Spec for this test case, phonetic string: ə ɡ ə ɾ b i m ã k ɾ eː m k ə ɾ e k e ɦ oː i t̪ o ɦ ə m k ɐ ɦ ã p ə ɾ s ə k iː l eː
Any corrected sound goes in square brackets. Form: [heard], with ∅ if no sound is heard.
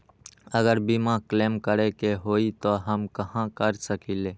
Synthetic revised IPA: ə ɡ ə ɾ b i m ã k [l] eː m k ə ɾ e k e ɦ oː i t̪ o ɦ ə m k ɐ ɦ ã [k] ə ɾ s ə k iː l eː